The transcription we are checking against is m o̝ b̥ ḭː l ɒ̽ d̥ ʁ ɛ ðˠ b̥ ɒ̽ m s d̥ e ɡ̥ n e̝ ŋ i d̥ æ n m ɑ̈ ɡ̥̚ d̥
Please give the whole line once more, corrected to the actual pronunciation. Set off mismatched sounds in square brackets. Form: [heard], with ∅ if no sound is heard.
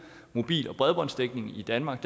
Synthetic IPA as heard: m o̝ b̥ ḭː l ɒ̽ [b̥] ʁ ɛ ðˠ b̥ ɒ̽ [n] s d̥ e ɡ̥ n e̝ ŋ i d̥ æ n m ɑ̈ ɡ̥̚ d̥